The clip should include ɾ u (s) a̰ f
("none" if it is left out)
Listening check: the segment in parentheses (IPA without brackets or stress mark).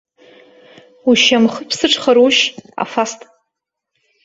ʃ